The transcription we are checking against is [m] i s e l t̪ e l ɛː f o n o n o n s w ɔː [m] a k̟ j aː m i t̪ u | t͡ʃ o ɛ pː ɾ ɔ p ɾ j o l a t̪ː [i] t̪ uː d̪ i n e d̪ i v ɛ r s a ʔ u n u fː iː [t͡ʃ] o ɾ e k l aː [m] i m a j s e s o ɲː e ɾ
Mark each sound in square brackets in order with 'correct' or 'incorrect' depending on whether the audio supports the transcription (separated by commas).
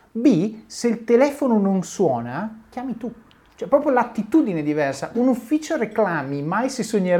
incorrect, incorrect, correct, correct, correct